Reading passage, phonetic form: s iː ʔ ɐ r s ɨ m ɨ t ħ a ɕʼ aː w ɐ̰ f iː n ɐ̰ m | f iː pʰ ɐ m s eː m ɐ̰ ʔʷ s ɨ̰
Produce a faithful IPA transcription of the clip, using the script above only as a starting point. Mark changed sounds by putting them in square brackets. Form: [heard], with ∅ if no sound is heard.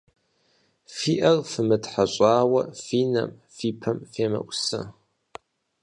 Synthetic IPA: [f] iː ʔ ɐ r [f] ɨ m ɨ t ħ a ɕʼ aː w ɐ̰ f iː n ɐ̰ m | f iː pʰ ɐ m [f] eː m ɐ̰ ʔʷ s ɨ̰

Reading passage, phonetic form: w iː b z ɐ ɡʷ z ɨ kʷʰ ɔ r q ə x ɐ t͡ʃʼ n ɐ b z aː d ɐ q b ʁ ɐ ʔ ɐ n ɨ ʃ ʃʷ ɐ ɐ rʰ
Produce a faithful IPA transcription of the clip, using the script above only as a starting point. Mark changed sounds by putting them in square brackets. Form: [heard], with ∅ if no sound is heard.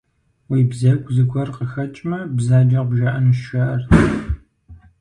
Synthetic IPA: w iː b z ɐ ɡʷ z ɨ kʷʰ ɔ r q ə x ɐ t͡ʃʼ [m] ɐ b z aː [d͡ʒ] ɐ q b [ʒ] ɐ ʔ ɐ n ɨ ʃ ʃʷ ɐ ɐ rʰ

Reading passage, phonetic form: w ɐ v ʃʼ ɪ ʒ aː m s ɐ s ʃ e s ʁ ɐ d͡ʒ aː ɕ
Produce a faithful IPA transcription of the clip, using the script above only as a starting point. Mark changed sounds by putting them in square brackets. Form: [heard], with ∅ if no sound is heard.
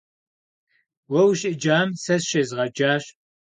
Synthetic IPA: w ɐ [w] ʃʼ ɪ [d͡ʒ] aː m s ɐ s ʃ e [z] ʁ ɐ d͡ʒ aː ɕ

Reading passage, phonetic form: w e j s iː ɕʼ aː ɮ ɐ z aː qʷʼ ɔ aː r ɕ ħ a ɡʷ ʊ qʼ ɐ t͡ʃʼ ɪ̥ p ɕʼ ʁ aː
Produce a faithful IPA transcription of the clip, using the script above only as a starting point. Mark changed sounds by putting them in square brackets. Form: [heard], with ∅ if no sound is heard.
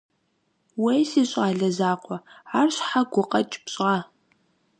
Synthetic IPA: w e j s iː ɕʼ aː ɮ ɐ z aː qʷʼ ɔ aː r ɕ ħ a ɡʷ ʊ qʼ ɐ t͡ʃʼ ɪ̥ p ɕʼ ʁ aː

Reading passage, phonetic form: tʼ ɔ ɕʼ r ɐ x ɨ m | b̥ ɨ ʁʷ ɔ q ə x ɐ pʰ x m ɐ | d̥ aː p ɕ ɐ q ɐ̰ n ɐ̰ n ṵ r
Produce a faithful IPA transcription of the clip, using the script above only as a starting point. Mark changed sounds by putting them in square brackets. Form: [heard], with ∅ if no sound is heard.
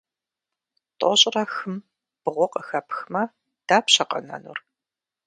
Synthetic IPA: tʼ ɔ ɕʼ r ɐ x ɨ m | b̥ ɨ ʁʷ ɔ q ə x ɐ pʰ x m ɐ | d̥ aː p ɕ ɐ q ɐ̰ n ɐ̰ n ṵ r

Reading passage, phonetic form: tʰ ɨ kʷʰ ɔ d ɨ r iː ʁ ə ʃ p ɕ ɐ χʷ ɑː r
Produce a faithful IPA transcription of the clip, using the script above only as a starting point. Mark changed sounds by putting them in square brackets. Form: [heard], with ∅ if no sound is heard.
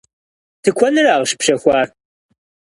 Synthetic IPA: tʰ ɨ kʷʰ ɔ [n] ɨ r [aː] ʁ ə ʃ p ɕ ɐ [xʷ] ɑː r

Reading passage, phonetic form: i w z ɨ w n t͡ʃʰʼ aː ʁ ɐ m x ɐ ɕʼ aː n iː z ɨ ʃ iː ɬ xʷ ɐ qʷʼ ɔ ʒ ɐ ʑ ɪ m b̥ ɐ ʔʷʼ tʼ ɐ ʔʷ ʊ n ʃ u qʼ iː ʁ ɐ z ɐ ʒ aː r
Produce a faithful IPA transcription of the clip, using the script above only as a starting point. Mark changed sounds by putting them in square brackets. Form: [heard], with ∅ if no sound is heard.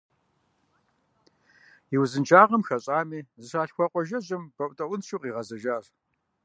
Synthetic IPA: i w z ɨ [∅] n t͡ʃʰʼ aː ʁ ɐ m x ɐ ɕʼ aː [m] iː z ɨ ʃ [aː] ɬ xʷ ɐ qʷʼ ɔ ʒ ɐ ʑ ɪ m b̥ ɐ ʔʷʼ tʼ ɐ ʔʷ ʊ n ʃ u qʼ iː ʁ ɐ z ɐ ʒ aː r

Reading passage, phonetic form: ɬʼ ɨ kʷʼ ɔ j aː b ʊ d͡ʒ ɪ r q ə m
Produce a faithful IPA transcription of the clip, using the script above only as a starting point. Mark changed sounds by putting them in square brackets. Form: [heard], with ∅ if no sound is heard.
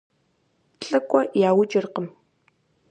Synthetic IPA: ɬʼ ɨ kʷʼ ɔ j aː [w] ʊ d͡ʒ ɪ r q ə m

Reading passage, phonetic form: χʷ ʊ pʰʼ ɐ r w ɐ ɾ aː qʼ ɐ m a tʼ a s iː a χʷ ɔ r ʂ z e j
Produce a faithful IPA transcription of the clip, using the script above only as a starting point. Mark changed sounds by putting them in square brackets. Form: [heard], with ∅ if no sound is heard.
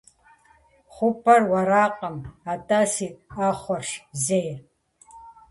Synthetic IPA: χʷ ʊ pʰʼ ɐ r w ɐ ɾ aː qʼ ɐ m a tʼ a s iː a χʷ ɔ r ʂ z e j

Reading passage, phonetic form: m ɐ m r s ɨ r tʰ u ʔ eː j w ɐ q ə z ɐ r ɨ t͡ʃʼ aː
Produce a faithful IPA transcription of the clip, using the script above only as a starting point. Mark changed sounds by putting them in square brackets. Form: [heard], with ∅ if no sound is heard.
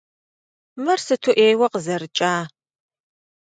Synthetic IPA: m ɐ [∅] r s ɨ [∅] tʰ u ʔ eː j w ɐ q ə z ɐ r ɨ t͡ʃʼ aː

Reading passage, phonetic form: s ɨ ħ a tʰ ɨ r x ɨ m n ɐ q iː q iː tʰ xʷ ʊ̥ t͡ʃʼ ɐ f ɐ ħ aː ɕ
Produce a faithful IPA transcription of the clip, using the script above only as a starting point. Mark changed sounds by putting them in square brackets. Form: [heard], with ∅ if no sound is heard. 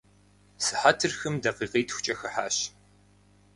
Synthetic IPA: s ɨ ħ a tʰ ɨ r x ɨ m [d] ɐ q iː q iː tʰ xʷ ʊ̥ t͡ʃʼ ɐ [x] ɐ ħ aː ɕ

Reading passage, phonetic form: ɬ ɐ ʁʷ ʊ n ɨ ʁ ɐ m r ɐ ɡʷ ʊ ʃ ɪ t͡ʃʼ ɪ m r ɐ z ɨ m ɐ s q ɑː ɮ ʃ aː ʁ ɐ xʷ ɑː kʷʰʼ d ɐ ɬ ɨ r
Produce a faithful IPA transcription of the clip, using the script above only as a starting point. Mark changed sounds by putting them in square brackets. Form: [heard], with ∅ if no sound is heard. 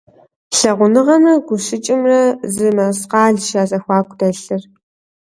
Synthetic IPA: ɬ ɐ ʁʷ ʊ n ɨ ʁ ɐ m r ɐ ɡʷ ʊ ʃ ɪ t͡ʃʼ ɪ m r ɐ z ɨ m ɐ s q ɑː ɮ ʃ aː [z] ɐ xʷ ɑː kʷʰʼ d ɐ ɬ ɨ r

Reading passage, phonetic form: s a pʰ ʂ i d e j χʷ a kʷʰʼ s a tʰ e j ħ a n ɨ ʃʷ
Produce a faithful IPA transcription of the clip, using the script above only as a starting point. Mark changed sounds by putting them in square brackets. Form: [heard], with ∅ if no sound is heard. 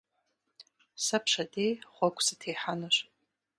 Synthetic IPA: s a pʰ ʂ [a] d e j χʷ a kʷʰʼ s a tʰ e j ħ a n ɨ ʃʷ

